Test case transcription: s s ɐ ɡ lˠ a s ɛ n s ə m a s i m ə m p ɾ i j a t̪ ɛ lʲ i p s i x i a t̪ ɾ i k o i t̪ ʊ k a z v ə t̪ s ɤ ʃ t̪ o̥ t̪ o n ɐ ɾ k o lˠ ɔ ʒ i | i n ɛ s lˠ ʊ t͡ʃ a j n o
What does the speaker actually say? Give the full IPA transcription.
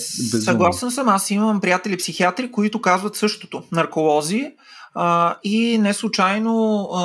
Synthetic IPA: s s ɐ ɡ lˠ a s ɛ n s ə m a s i m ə m p ɾ i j a t̪ ɛ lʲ i p s i x i a t̪ ɾ i k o i t̪ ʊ k a z v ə t̪ s ɤ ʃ t̪ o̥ t̪ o n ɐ ɾ k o lˠ ɔ z i | i n ɛ s lˠ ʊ t͡ʃ a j n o